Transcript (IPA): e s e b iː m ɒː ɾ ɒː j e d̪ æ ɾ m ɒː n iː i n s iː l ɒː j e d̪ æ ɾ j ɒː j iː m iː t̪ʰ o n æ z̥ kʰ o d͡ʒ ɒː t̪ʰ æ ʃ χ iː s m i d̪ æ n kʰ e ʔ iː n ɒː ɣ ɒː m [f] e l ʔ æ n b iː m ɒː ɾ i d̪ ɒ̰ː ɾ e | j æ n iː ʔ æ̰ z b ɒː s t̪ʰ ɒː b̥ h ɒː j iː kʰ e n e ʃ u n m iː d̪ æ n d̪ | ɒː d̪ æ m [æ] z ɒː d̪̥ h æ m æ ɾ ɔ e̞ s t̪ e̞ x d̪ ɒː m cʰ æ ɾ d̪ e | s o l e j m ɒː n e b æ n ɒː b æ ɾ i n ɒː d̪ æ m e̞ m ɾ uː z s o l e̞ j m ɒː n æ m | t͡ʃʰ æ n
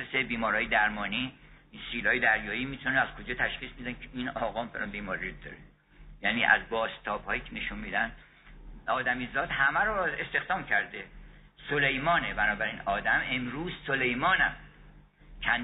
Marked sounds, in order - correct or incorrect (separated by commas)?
correct, incorrect